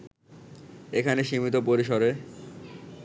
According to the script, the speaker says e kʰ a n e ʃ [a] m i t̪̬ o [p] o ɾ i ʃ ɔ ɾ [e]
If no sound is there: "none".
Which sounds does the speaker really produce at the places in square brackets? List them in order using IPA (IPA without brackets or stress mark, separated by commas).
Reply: i, p, e